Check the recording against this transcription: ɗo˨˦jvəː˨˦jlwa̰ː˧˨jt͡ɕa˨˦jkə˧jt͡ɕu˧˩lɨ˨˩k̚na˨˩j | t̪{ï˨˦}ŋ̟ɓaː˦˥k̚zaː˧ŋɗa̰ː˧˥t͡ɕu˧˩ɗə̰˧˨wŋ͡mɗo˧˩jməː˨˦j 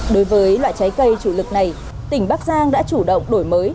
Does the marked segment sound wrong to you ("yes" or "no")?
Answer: yes